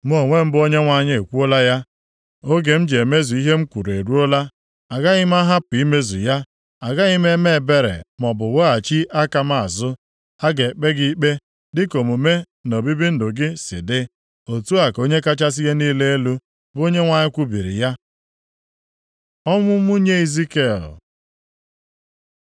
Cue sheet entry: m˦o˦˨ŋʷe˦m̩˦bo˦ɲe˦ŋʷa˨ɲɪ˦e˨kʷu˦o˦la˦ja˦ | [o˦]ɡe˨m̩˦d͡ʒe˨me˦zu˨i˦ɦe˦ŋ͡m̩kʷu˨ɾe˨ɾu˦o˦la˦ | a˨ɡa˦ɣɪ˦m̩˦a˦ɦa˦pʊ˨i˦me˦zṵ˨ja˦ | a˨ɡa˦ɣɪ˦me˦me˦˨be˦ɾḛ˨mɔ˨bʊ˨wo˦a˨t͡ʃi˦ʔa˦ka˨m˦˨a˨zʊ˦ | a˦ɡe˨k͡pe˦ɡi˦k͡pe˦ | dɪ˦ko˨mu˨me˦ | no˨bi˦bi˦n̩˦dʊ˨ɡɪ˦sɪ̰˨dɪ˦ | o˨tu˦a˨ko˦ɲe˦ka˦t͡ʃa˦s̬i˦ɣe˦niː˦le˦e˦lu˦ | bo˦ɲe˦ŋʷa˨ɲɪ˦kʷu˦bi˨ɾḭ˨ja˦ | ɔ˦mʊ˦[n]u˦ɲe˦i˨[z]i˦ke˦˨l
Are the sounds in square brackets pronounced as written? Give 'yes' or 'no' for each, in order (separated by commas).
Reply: yes, no, yes